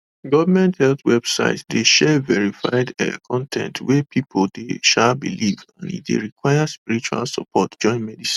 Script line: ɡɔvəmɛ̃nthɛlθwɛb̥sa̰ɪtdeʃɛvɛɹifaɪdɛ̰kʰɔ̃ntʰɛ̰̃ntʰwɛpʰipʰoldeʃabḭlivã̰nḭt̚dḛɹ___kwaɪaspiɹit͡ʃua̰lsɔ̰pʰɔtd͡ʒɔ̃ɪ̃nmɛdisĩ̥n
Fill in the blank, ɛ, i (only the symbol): i